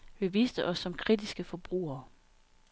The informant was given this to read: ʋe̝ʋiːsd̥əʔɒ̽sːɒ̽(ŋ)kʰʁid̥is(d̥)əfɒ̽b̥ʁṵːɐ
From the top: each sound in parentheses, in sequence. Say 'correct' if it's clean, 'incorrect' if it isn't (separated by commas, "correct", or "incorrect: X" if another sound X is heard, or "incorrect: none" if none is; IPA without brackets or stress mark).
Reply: incorrect: m, incorrect: ɡ̥